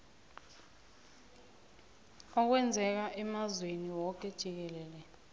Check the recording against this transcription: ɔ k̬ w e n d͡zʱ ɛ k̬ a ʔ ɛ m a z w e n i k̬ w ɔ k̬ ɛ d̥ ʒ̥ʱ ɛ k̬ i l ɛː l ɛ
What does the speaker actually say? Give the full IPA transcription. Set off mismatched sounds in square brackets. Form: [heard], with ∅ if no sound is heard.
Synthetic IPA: ɔ k̬ w [ɛ] n d͡zʱ ɛ k̬ a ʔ ɛ m a z w e n i [∅] w ɔ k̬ ɛ d̥ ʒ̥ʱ [i] k̬ [ɛ] l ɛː l ɛ